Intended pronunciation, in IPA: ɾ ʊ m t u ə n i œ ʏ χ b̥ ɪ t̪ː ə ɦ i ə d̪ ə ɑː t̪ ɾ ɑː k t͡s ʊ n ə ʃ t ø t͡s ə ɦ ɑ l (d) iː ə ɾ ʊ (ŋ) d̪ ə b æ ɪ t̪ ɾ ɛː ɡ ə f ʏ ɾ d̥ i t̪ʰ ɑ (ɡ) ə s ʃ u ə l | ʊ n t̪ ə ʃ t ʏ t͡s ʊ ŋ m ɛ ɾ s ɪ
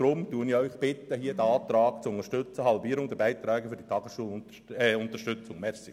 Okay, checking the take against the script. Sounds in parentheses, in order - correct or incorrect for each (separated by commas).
incorrect, correct, correct